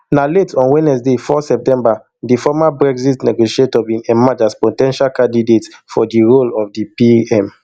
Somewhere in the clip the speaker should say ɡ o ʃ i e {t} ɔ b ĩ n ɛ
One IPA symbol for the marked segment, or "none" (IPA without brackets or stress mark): t